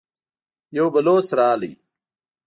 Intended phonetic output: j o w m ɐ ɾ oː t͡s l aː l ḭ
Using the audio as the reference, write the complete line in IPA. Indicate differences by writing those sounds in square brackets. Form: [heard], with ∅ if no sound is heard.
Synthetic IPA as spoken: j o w [b] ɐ [l] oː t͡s [ɾ] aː l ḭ

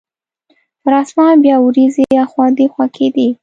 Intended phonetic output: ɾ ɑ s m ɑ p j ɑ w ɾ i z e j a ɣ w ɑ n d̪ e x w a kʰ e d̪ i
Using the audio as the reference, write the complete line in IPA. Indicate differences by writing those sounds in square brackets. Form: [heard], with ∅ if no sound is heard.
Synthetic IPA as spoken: ɾ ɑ s m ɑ [b] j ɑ w ɾ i z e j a [x] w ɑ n d̪ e x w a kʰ e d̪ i

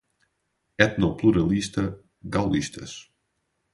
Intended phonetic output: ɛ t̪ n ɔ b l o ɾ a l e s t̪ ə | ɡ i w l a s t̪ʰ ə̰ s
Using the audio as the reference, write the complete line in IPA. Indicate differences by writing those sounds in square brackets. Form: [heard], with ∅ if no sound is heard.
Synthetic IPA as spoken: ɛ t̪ n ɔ [p] l [u] ɾ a l [i] s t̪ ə | ɡ [a] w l [i] s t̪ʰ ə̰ s

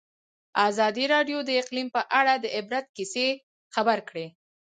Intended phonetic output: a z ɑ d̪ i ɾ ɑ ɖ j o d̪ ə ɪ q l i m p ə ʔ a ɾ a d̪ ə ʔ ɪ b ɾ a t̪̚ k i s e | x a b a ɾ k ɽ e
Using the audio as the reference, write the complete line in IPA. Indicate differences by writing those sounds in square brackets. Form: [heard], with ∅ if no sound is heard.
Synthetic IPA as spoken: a z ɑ d̪ i ɾ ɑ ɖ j o d̪ ə ɪ q l i m p ə ʔ a [ɽ] a d̪ ə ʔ ɪ b ɾ a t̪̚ k i s e | x a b a ɾ k ɽ e

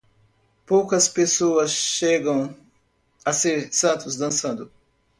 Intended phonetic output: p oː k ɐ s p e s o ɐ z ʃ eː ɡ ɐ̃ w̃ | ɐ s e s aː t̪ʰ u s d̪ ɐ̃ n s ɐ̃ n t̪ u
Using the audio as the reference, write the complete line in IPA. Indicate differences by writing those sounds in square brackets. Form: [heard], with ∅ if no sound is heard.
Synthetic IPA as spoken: p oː k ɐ s p e s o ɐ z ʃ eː ɡ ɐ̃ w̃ | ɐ s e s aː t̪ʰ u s d̪ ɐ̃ n s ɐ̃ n [d̪] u

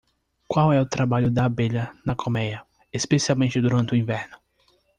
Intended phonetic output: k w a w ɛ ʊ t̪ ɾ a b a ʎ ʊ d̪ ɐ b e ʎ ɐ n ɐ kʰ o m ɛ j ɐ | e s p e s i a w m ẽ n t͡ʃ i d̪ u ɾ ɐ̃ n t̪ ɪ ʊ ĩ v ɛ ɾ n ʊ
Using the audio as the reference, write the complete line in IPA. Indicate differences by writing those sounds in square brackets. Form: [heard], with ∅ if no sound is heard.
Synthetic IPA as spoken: k w a w ɛ ʊ t̪ ɾ a b a ʎ ʊ d̪ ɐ b e ʎ ɐ n ɐ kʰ o m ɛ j ɐ | e s p e s i a w m ẽ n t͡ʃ [ɪ] d̪ u ɾ ɐ̃ n t̪ ɪ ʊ ĩ v ɛ ɾ n ʊ

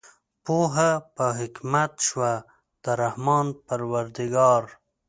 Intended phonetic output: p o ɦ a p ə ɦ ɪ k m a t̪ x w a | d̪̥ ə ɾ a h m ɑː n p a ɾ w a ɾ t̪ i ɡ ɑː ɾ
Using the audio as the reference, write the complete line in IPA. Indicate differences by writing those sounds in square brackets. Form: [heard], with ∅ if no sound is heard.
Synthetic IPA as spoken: p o ɦ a p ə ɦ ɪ k m a t̪ [ʃ] w a | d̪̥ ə ɾ a h m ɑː n p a ɾ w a ɾ [d̪] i ɡ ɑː ɾ

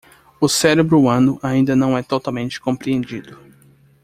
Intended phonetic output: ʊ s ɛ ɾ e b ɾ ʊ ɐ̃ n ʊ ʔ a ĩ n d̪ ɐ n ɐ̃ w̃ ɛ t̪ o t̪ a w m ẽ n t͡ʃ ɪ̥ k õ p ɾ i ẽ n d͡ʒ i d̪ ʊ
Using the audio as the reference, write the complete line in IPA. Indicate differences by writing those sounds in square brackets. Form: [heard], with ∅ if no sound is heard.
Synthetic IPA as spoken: ʊ s ɛ ɾ e b ɾ ʊ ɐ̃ n ʊ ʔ a ĩ n d̪ ɐ n ɐ̃ w̃ ɛ t̪ o t̪ a w m ẽ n t͡ʃ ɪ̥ k õ p ɾ i ẽ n d͡ʒ i d̪ ʊ

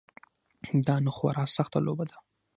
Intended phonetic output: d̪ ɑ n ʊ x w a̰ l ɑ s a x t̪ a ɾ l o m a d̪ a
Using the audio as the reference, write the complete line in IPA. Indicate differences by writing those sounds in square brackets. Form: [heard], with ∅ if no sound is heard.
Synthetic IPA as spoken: d̪ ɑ n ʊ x w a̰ [ɾ] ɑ s a x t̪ a [∅] l o [b] a d̪ a

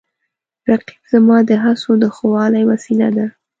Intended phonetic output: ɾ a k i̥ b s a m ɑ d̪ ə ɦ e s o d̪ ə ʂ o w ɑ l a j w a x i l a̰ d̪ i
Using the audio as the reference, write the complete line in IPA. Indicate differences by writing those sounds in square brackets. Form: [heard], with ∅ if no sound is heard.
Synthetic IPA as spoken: ɾ a [q] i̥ b [z] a m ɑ d̪ ə ɦ [a] s o d̪ ə [x] o w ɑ l a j w a [s] i l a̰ d̪ [a]

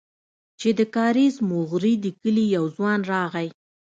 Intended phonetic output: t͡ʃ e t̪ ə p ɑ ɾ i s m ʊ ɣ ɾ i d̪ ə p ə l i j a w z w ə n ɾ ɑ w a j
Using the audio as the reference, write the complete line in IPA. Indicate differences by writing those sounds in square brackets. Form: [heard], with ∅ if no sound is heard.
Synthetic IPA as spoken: t͡ʃ e [d̪] ə [k] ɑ ɾ i [z] m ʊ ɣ ɾ i d̪ ə [k] ə l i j a w z w [ɑ] n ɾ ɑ [ɣ] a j

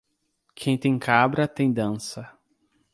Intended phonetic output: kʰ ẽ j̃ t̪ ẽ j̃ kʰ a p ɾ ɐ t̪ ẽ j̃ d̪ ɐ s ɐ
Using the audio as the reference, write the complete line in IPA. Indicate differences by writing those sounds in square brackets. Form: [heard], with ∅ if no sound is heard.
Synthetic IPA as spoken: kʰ ẽ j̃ t̪ ẽ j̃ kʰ a [b] ɾ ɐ t̪ ẽ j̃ d̪ [ɐ̃] s ɐ

